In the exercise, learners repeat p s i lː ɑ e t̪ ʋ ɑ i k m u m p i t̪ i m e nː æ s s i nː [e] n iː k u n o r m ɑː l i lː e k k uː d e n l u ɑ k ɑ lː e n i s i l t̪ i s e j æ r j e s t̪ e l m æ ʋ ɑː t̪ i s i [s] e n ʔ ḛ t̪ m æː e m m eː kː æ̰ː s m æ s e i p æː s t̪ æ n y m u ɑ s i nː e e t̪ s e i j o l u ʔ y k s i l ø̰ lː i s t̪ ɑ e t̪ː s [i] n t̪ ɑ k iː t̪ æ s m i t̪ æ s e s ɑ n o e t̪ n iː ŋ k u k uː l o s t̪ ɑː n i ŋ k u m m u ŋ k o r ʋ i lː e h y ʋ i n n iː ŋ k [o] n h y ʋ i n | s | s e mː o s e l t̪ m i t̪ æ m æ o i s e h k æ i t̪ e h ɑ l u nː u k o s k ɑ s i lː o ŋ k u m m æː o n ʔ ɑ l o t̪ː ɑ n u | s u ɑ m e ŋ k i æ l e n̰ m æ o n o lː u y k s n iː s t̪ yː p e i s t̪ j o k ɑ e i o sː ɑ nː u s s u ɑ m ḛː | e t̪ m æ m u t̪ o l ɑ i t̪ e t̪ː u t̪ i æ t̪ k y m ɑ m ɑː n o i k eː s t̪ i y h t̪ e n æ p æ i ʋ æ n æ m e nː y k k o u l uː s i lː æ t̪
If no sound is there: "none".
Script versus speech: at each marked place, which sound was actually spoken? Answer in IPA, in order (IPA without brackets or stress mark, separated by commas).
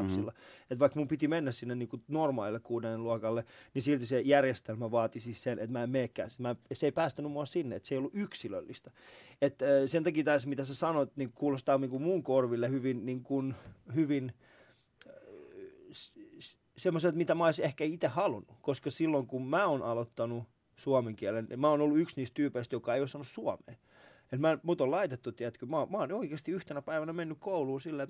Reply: e, s, e, u